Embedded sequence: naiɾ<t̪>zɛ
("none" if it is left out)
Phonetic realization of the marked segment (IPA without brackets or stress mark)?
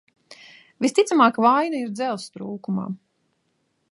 d̪